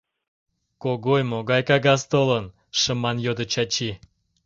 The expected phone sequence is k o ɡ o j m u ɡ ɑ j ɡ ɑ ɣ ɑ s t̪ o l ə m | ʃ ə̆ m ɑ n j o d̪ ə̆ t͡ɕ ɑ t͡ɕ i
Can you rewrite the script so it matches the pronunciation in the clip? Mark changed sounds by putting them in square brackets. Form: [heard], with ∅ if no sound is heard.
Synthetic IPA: k o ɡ o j m [o] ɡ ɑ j [k] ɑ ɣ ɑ s t̪ o l ə [n] | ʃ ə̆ m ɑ n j o d̪ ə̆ t͡ɕ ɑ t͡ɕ i